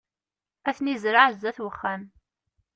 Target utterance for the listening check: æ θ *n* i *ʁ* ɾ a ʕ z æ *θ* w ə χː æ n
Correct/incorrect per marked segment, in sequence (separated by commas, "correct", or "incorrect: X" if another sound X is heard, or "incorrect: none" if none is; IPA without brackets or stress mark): correct, incorrect: z, correct